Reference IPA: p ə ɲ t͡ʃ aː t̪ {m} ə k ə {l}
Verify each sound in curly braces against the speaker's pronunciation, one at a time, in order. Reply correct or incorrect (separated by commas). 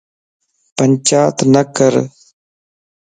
incorrect, incorrect